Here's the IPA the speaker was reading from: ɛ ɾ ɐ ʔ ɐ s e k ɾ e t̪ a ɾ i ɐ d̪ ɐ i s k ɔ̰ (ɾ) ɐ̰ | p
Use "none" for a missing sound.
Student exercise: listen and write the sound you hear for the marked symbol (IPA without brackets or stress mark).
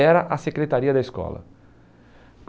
l